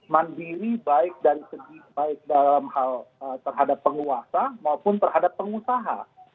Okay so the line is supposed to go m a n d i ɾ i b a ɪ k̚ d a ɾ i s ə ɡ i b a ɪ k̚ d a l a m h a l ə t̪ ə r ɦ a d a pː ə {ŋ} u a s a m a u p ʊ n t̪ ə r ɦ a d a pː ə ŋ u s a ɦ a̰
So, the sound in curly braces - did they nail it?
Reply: yes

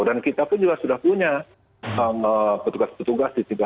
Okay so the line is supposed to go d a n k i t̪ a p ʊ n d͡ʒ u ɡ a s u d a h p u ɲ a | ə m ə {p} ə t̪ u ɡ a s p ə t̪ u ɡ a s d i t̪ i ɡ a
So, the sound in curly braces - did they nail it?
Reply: yes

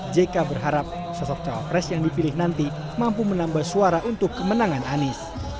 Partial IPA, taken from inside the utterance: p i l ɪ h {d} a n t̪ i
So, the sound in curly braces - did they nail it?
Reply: no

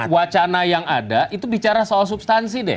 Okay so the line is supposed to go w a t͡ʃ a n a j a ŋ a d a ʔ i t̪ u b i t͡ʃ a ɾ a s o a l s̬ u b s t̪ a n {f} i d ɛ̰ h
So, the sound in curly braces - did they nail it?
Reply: no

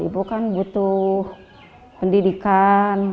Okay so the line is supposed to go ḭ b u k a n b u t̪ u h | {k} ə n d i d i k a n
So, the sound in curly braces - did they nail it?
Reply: no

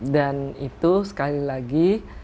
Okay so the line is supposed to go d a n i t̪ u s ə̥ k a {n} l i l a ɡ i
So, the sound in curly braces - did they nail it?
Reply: no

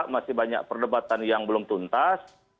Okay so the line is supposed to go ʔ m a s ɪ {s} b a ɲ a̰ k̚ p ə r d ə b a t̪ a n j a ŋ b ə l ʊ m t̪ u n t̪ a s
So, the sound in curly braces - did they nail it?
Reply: no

